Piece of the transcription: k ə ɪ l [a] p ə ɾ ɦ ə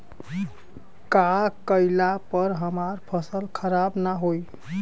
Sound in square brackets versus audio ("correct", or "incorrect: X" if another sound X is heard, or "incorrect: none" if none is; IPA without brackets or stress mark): correct